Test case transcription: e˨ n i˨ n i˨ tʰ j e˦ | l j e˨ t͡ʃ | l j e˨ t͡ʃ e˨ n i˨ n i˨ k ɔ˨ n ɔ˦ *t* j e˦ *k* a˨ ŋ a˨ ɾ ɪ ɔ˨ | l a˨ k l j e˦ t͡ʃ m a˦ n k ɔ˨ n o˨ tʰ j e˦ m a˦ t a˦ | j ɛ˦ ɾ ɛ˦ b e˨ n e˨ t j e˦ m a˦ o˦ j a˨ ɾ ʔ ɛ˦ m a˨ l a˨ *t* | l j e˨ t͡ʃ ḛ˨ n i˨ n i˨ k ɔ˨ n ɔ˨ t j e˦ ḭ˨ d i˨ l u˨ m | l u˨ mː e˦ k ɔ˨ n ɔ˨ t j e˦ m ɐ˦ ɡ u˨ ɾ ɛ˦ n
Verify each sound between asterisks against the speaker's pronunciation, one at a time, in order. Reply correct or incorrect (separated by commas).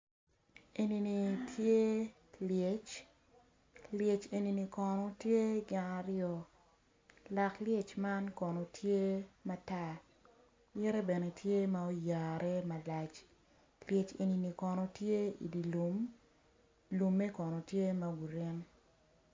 correct, incorrect, incorrect